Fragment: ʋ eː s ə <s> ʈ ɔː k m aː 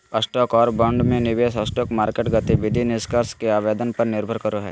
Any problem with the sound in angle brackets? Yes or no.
no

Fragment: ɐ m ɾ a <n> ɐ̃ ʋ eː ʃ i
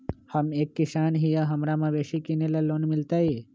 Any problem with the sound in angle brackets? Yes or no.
yes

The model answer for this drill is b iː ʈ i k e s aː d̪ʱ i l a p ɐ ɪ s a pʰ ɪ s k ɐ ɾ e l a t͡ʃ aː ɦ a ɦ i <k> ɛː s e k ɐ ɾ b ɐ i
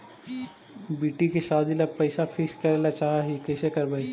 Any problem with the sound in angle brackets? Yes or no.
no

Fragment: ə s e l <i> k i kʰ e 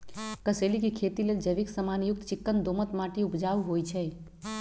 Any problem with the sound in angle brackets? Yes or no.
no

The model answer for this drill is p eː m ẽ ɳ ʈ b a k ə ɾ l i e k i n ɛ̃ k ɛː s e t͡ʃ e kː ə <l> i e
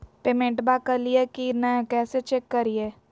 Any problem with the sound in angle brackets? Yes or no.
yes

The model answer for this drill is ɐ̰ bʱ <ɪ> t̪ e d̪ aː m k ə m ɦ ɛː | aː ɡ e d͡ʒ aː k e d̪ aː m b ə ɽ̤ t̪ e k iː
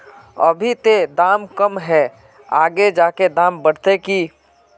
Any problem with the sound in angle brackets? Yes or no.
yes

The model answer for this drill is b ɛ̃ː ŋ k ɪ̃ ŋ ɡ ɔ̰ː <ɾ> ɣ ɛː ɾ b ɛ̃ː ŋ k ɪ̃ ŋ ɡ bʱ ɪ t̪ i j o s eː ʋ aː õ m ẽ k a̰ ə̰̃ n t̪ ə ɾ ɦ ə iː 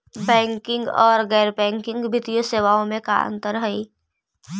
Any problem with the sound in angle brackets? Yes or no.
no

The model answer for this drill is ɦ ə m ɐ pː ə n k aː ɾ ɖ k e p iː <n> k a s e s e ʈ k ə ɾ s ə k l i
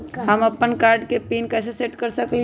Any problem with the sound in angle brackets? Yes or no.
no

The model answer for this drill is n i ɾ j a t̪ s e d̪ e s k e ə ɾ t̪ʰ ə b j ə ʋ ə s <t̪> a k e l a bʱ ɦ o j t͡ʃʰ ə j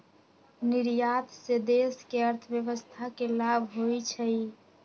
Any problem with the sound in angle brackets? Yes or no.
yes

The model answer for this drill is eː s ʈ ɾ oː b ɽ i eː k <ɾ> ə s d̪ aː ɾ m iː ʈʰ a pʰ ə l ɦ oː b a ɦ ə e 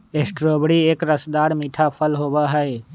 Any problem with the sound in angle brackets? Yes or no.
no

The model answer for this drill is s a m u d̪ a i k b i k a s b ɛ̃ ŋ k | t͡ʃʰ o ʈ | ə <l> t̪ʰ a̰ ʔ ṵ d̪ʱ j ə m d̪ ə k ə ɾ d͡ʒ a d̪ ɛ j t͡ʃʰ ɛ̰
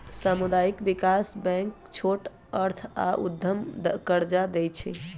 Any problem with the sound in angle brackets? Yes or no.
yes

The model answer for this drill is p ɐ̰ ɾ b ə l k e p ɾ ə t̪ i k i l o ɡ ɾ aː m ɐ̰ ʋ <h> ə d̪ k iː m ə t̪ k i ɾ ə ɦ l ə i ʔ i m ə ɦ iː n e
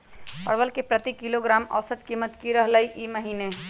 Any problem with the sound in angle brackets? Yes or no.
yes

